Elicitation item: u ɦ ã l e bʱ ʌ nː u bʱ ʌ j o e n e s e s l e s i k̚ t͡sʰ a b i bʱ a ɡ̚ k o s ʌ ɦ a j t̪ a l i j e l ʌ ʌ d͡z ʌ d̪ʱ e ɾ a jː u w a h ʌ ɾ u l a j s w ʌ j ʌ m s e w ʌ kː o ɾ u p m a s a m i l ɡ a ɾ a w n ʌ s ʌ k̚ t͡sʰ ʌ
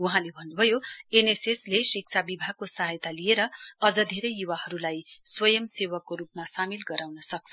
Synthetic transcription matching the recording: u ɦ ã l e bʱ ʌ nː u bʱ ʌ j o e n e s e s l e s i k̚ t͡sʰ a b i bʱ a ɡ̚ k o s ʌ ɦ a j t̪ a l i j e ɾ ʌ ʌ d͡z ʌ d̪ʱ e ɾ ʌ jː u w a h ʌ ɾ u l a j s w ʌ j ʌ m s e w ʌ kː o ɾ u p m a s a m i l ɡ ʌ ɾ a w n ʌ s ʌ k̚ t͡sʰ ʌ